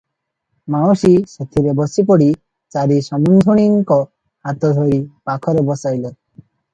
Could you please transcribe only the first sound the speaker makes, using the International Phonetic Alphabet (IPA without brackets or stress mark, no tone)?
m